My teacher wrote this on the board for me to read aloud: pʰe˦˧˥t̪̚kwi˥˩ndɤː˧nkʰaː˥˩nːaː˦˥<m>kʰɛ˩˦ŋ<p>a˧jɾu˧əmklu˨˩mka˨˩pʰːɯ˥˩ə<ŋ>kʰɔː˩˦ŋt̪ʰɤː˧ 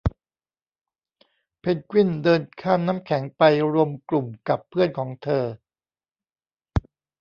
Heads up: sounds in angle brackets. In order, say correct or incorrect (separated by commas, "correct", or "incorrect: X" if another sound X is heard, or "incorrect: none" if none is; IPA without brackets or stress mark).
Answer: correct, correct, incorrect: n